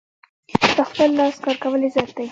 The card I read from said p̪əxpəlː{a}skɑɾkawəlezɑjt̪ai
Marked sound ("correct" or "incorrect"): incorrect